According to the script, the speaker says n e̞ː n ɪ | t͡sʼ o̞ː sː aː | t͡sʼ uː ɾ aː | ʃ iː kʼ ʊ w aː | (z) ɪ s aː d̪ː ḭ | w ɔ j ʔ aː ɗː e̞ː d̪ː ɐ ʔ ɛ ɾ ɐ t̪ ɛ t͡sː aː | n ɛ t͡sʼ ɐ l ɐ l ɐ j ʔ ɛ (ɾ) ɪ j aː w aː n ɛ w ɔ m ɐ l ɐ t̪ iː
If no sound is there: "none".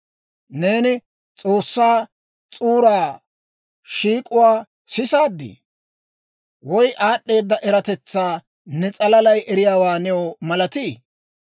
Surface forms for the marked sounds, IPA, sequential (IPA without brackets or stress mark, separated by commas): s, ɾ